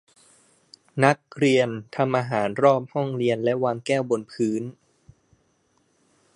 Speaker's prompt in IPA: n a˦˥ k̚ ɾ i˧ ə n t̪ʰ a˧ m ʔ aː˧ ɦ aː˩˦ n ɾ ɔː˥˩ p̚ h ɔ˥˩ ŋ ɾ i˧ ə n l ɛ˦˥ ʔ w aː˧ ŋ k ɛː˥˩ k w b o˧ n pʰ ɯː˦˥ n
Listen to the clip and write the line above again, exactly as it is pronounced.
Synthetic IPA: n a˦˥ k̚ ɾ i˧ ə n t̪ʰ a˧ m ʔ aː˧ ɦ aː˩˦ n ɾ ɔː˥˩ p̚ h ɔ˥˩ ŋ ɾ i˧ ə n l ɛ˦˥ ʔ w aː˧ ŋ k ɛː˥˩ w b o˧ n pʰ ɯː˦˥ n